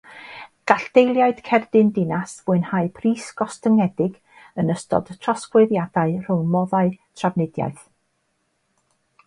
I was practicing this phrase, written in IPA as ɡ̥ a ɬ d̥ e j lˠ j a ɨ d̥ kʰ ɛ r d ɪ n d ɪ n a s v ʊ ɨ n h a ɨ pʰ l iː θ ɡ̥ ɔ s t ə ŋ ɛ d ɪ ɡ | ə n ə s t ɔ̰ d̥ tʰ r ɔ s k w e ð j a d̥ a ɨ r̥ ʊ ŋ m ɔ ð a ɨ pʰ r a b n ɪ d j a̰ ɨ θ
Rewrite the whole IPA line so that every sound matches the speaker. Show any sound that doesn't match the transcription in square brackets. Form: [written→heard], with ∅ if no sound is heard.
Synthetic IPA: ɡ̥ a ɬ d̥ e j lˠ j a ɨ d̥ kʰ ɛ r d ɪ n d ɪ n a s v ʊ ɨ n h a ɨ pʰ [l→r] iː [θ→s] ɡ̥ ɔ s t ə ŋ ɛ d ɪ ɡ | ə n ə s t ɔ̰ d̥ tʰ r ɔ s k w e ð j a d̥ a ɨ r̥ ʊ ŋ m ɔ ð a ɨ [pʰ→tʰ] r a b n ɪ d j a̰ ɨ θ